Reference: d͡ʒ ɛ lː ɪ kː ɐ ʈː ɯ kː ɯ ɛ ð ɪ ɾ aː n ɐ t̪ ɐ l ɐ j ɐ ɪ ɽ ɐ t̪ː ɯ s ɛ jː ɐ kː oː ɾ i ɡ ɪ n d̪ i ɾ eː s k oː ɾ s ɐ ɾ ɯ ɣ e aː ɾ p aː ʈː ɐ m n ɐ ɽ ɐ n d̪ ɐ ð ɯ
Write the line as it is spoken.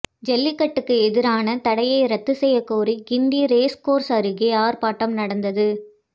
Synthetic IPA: d͡ʒ ɛ lː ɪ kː ɐ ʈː ɯ kː ɯ ɛ ð ɪ ɾ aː n ɐ t̪ ɐ ɽ ɐ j ɐ ɪ ɾ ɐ t̪ː ɯ s ɛ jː ɐ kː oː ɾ i ɡ ɪ n d̪ i ɾ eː s k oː ɾ s ɐ ɾ ɯ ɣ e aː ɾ p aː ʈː ɐ m n ɐ ɽ ɐ n d̪ ɐ ð ɯ

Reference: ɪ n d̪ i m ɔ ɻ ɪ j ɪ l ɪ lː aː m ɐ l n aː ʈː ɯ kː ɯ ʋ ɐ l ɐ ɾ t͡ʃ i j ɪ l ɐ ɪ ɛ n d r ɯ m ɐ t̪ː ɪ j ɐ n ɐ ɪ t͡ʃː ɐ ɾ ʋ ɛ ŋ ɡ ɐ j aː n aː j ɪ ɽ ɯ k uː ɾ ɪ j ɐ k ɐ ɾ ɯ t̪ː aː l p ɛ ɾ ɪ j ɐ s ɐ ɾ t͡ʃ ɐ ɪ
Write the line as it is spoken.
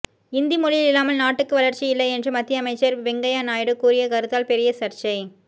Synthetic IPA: ɪ n d̪ i m ɔ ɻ ɪ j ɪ l ɪ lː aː m ɐ l n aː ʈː ɯ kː ɯ ʋ ɐ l ɐ ɾ t͡ʃ i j ɪ lː ɐ ɪ ɛ n d r ɯ m ɐ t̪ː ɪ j ɐ m ɐ ɪ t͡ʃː ɐ ɾ ʋ ɛ ŋ ɡ ɐ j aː n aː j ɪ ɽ ɯ k uː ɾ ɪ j ɐ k ɐ ɾ ɯ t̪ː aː l p ɛ ɾ ɪ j ɐ s ɐ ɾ t͡ʃ ɐ ɪ

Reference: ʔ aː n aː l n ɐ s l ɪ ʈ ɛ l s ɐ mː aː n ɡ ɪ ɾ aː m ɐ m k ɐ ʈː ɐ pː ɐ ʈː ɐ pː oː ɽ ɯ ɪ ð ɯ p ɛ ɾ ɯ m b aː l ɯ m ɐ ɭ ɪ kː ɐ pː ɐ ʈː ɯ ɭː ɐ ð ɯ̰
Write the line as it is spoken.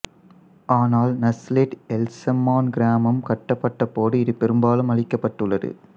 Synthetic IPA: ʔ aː n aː l n ɐ s l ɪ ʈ ɛ l s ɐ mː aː n ɡ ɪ ɾ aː m ɐ m k ɐ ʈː ɐ pː ɐ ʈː ɐ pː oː ɽ ɯ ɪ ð ɯ p ɛ ɾ ɯ m b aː l ɯ m ɐ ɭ ɪ kː ɐ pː ɐ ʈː ɯ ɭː ɐ ð ɯ̰

